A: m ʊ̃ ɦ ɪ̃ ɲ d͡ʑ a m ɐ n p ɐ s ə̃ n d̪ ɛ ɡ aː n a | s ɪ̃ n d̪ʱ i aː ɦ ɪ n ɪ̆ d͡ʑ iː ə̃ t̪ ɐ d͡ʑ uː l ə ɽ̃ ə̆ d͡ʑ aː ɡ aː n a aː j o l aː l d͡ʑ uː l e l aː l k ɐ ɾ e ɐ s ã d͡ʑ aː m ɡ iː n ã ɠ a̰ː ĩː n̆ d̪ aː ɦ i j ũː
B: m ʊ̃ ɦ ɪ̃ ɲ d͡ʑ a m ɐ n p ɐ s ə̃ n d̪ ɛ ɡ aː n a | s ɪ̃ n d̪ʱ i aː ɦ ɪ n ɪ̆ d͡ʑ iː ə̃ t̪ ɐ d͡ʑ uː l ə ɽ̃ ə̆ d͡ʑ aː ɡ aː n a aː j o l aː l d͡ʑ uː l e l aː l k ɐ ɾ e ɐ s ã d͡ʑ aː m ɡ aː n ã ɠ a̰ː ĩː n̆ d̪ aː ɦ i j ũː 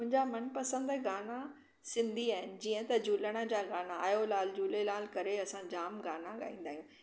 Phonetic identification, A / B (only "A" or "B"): B